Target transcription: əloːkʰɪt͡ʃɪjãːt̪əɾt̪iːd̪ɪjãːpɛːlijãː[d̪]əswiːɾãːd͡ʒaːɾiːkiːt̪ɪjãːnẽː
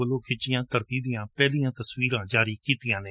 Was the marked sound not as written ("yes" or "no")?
yes